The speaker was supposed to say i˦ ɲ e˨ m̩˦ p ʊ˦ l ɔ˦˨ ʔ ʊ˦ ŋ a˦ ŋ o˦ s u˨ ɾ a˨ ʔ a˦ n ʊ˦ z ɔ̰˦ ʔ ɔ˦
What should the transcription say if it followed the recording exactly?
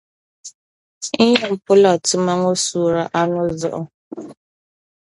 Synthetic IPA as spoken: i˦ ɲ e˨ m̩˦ p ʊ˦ l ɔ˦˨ t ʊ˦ m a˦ ŋ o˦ s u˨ ɾ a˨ ʔ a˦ n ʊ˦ z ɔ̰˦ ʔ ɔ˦